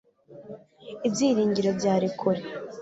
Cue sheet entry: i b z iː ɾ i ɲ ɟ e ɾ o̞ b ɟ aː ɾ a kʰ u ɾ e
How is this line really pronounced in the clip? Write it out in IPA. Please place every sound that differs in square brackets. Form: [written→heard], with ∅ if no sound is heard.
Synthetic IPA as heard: i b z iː ɾ [i→iː] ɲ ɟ [e→i] ɾ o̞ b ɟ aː ɾ [a→i] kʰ u ɾ e